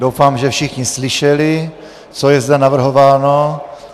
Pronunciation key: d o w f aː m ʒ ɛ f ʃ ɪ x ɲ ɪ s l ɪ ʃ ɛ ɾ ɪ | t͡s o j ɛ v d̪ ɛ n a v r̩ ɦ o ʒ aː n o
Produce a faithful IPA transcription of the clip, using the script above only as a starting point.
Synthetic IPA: d o w f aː m ʒ ɛ f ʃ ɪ x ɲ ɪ s l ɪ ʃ ɛ l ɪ | t͡s o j ɛ z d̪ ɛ n a v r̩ ɦ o v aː n o